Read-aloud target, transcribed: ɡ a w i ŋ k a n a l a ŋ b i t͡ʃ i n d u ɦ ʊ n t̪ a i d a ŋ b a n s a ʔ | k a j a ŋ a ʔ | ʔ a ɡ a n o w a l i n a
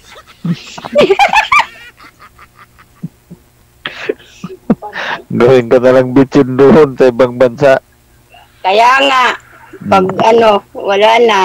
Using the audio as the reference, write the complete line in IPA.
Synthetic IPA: ɡ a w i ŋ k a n a l a ŋ b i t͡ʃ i n d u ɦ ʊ n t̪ a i b a ŋ b a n s a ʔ | k a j a ŋ a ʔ | p a ɡ a n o w a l a n a